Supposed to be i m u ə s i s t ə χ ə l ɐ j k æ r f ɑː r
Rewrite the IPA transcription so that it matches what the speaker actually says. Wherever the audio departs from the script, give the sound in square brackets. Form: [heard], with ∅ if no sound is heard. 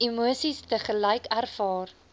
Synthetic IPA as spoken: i m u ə s i s t ə χ ə l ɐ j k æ r f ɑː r